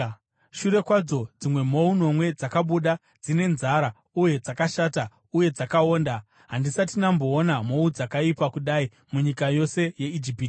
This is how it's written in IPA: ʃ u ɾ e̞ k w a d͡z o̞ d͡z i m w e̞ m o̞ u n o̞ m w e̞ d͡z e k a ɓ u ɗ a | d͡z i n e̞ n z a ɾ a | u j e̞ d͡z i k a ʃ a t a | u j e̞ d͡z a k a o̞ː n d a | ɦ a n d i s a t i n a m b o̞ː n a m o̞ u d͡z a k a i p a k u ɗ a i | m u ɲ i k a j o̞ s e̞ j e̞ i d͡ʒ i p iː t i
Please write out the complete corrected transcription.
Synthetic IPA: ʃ u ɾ e̞ k w a d͡z o̞ d͡z i m w e̞ m o̞ u n o̞ m w e̞ d͡z a k a ɓ u ɗ a | d͡z i n e̞ n z a ɾ a | u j e̞ d͡z a k a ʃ a t a | u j e̞ d͡z a k a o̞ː n d a | ɦ a n d i s a t i n a m b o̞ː n a m o̞ u d͡z a k a i p a k u ɗ a i | m u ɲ i k a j o̞ s e̞ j e̞ i d͡ʒ i p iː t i